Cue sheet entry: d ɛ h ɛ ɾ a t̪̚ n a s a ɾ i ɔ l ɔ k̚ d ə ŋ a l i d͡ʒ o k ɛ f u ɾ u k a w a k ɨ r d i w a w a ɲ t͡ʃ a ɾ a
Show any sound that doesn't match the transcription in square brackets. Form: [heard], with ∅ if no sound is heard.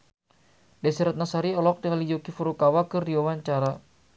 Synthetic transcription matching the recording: d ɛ [s] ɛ ɾ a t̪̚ n a s a ɾ i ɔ l ɔ k̚ d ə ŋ a l i d͡ʒ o k [i] f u ɾ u k a w a k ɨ r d i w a w a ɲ t͡ʃ a ɾ a